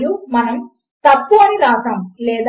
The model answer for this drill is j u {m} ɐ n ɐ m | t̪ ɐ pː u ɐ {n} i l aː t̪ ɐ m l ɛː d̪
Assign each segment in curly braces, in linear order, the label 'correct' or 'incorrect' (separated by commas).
correct, correct